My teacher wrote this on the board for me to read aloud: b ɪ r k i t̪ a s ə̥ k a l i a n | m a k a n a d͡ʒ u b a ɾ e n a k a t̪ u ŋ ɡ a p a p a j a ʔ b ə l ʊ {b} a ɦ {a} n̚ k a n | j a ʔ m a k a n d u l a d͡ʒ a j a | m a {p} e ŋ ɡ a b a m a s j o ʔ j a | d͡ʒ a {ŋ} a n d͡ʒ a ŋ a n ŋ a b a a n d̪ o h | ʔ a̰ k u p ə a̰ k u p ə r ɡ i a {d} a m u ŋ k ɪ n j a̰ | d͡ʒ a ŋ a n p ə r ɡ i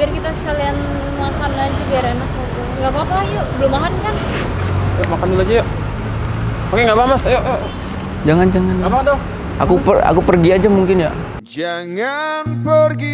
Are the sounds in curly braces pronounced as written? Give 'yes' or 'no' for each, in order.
no, yes, no, yes, no

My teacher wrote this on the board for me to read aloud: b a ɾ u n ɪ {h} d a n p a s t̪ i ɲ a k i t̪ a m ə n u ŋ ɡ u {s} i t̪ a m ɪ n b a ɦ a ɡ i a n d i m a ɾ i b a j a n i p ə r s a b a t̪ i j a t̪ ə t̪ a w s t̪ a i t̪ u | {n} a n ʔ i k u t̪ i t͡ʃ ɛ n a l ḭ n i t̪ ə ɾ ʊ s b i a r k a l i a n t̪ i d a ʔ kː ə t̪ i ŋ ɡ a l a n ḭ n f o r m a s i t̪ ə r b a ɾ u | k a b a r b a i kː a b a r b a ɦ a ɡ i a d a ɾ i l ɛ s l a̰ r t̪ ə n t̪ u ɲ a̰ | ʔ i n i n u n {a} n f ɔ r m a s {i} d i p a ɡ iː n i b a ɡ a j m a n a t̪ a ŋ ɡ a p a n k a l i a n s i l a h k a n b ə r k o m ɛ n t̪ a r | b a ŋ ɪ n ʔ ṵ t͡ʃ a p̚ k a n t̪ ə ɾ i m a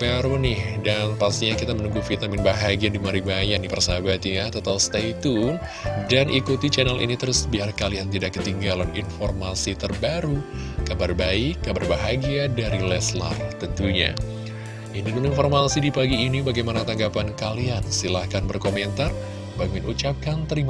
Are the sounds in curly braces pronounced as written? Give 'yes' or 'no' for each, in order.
yes, no, no, no, yes

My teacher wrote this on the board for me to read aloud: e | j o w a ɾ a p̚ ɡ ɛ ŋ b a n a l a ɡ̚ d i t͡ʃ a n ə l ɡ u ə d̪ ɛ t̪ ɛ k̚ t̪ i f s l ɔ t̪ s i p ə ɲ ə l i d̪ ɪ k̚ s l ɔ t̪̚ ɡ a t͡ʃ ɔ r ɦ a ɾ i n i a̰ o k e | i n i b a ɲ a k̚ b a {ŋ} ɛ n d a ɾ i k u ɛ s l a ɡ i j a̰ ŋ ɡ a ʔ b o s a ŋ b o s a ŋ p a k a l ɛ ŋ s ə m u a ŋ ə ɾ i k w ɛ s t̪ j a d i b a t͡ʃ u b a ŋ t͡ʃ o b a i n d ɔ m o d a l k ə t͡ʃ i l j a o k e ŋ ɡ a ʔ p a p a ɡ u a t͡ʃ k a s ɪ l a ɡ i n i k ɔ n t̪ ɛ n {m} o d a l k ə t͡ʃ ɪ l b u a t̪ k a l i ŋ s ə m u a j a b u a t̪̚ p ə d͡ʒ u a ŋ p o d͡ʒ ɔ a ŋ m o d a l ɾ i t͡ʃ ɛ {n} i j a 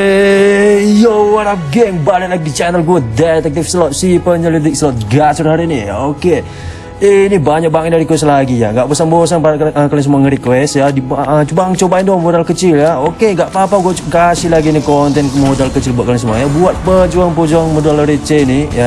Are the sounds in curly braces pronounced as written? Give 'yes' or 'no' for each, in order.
yes, yes, yes

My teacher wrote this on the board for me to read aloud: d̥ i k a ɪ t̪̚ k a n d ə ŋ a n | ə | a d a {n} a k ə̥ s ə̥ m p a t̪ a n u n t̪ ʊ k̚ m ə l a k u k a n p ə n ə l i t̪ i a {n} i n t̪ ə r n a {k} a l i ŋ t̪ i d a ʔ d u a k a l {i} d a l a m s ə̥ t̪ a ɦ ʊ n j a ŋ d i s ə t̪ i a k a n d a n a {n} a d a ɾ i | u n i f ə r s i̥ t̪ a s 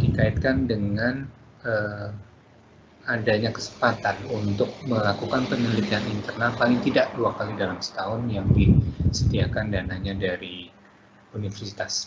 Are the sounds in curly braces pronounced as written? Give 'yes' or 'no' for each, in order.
no, yes, no, yes, no

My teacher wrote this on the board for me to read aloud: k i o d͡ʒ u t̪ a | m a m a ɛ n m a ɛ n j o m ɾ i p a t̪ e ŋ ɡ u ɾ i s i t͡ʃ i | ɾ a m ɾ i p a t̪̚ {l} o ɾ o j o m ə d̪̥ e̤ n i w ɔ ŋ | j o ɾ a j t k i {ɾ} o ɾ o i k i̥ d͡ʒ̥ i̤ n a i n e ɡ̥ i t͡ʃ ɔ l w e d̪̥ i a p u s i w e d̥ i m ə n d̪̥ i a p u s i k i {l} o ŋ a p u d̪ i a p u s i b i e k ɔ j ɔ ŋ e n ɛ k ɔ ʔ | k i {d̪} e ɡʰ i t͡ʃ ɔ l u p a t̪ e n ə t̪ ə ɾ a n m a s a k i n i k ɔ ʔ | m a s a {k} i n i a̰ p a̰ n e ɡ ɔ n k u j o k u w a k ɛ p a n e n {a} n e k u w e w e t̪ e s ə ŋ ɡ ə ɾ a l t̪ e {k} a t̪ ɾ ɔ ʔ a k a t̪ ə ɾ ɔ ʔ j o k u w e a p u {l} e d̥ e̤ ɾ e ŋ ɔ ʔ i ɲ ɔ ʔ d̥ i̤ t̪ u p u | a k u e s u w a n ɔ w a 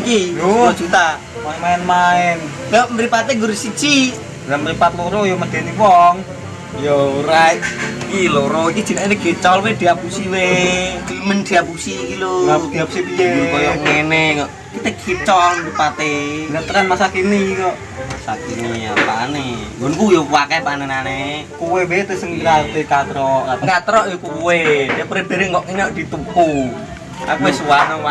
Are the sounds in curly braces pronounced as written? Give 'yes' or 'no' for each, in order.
yes, no, yes, no, yes, yes, yes, no

